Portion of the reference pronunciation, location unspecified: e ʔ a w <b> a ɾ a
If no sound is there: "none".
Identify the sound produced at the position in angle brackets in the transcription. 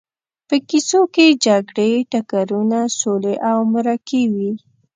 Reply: m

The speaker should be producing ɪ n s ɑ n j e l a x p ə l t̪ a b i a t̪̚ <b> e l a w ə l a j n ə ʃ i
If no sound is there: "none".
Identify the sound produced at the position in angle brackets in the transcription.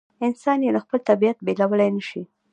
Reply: b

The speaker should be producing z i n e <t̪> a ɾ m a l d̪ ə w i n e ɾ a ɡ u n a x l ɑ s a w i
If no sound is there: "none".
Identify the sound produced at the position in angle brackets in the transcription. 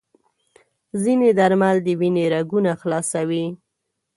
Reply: d̪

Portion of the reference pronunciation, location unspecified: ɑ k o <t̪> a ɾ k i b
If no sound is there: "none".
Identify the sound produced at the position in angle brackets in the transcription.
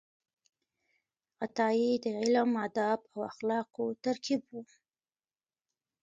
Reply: t̪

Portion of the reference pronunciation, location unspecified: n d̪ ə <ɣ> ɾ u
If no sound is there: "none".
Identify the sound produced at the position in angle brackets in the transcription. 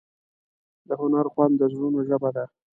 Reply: z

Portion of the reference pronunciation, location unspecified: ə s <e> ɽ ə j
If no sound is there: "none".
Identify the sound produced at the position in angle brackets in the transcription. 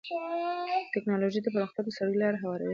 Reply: a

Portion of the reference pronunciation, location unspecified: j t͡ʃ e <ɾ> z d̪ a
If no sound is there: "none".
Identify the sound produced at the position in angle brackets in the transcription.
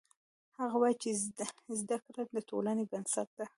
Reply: none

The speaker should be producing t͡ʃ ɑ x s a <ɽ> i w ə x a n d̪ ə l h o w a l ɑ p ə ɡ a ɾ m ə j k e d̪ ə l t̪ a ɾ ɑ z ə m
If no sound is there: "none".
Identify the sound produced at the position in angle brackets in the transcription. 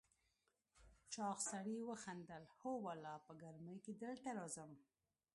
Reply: ɽ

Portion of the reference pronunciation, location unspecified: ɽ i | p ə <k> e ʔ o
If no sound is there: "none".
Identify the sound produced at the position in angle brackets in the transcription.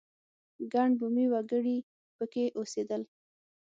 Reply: k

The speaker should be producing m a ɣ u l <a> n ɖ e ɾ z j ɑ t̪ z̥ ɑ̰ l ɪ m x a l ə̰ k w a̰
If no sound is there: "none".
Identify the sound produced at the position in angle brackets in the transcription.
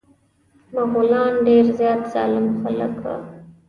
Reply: ɑ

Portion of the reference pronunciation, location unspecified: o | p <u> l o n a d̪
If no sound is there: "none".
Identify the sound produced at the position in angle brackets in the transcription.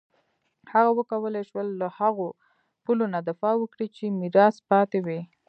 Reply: u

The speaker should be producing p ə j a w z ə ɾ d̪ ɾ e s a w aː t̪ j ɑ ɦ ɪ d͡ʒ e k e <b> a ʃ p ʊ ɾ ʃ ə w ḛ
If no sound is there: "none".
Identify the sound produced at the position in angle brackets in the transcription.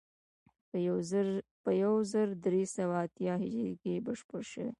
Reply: b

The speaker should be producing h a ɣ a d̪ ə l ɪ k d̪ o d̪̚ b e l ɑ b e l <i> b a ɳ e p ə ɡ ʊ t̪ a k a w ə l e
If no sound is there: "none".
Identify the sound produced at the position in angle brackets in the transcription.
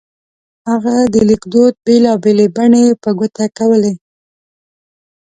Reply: e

